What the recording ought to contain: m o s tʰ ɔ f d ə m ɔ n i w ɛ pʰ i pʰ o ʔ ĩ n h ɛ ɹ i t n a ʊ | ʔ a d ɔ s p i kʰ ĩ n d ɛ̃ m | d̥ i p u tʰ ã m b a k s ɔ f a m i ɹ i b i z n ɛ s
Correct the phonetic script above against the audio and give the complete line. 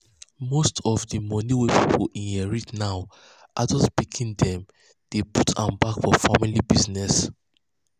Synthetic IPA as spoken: m o s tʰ ɔ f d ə m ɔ n i w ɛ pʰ i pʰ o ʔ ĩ n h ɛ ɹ i t n a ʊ | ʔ a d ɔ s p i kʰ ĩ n d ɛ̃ m | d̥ e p u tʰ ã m b a k f ɔ f a m i l i b i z n ɛ s